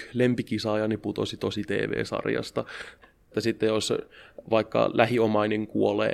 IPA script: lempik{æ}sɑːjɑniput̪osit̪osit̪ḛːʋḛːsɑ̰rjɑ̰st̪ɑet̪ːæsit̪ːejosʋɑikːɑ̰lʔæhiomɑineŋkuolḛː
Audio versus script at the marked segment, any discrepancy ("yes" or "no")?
yes